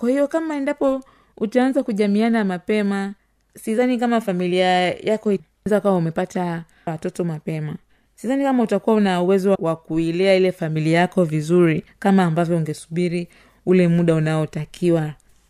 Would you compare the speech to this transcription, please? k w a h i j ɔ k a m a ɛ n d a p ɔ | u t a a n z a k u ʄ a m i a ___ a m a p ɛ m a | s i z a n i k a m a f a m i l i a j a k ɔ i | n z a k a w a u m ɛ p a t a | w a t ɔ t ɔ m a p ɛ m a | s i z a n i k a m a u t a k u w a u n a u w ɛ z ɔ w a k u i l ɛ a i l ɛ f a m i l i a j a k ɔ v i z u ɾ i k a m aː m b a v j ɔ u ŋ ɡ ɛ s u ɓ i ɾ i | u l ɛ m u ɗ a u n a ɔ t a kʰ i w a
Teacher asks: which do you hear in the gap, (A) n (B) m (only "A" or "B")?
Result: A